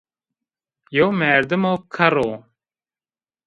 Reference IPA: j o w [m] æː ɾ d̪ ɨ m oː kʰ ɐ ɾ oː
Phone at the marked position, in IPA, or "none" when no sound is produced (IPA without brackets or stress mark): m